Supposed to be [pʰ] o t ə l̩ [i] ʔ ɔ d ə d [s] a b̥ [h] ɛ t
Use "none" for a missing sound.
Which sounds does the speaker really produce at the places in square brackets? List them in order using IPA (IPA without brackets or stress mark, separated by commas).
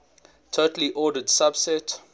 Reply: tʰ, i, s, s